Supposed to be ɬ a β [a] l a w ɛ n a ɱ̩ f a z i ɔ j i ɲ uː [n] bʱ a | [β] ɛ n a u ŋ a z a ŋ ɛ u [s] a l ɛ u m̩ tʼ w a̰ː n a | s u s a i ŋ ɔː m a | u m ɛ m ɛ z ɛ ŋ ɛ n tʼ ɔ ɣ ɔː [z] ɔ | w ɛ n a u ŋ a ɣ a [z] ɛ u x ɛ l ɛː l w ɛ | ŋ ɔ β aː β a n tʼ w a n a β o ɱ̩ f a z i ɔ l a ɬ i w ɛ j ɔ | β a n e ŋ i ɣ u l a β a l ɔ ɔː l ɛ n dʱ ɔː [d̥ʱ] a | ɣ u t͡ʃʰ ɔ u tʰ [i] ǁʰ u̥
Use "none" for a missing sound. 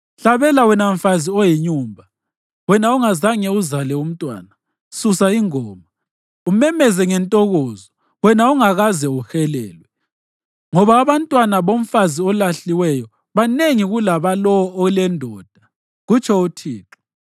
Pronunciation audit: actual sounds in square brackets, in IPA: ɛ, m, w, z, z, z, d̥ʱ, iː

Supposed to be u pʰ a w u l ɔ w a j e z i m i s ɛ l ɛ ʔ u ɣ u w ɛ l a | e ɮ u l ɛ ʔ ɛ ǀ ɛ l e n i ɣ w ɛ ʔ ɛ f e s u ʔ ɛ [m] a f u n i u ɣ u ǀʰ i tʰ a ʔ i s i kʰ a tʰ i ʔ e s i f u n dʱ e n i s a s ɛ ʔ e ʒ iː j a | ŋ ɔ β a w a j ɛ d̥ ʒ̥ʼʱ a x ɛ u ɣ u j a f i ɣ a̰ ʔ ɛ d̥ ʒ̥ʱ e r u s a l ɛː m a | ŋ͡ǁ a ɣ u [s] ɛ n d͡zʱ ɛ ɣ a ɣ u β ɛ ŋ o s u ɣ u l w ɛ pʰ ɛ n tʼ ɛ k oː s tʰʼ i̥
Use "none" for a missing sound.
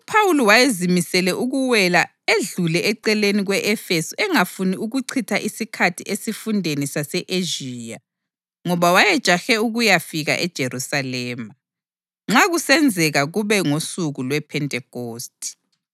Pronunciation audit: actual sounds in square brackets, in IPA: ŋ, s

